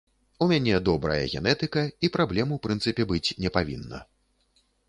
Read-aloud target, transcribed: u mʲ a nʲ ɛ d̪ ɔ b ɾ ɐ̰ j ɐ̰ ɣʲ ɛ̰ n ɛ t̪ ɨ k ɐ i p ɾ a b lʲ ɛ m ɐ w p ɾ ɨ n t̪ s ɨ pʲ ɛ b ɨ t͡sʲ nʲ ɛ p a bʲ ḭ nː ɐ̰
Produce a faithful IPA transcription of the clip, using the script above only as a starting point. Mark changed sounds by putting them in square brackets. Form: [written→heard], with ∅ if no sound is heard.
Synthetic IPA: u mʲ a nʲ ɛ d̪ ɔ b ɾ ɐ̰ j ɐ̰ ɣʲ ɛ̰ n ɛ t̪ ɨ k ɐ i p ɾ a b lʲ ɛ m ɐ w p ɾ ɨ n t̪ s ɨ pʲ ɛ b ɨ t͡sʲ nʲ ɛ p a [bʲ→vʲ] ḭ nː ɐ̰